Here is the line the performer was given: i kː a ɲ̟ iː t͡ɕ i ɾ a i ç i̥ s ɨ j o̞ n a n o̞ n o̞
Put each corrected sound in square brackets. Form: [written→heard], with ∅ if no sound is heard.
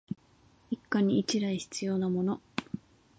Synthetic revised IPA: i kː a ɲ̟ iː t͡ɕ i ɾ a i ç i̥ [s→t͡s] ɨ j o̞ n a [n→m] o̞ n o̞